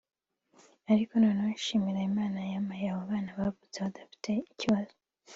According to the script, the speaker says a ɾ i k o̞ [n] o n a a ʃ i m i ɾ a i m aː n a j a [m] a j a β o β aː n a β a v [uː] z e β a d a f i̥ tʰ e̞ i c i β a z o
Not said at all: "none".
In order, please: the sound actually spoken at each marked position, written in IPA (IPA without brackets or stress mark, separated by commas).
n, m, u